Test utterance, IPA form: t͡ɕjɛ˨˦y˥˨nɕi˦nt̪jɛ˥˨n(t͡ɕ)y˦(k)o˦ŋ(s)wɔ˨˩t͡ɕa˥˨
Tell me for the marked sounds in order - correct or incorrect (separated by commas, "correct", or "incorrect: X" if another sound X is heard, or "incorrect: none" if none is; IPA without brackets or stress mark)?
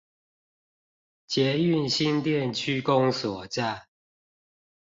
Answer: incorrect: t͡ɕʰ, correct, correct